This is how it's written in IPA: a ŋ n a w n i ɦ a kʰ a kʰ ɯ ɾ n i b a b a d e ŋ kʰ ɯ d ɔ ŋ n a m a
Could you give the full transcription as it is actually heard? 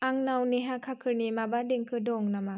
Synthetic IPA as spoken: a ŋ n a w n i ɦ a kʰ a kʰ ɯ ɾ n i m a b a d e ŋ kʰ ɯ d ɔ ŋ n a m a